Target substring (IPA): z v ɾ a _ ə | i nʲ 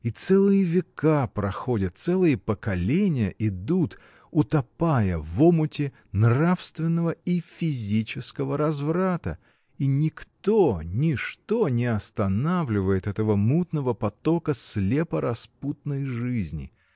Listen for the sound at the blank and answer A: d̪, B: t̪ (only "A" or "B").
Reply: B